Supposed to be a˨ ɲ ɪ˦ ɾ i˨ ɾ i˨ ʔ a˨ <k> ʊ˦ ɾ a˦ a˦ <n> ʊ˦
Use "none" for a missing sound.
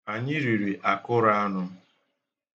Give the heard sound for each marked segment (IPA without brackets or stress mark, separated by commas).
k, n